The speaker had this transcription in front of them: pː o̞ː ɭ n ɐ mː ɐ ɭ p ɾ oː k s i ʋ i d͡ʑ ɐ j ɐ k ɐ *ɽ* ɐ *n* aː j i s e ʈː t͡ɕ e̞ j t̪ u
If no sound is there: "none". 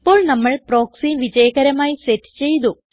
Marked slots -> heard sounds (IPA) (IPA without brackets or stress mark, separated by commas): ɾ, m